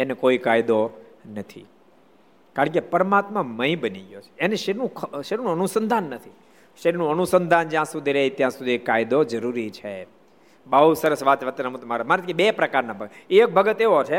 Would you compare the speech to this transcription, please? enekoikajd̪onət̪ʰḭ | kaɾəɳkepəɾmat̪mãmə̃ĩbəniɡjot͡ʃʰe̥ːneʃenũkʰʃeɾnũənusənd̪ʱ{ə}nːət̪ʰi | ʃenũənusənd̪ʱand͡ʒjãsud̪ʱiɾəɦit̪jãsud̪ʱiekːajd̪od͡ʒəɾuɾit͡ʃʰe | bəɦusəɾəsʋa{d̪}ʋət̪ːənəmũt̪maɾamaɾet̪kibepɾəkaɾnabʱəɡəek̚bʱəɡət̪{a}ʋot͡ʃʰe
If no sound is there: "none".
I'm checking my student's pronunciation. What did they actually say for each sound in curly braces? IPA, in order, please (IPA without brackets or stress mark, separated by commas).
a, t̪, e